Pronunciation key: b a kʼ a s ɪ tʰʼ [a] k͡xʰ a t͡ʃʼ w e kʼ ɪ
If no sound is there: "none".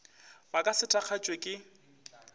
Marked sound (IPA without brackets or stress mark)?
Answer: a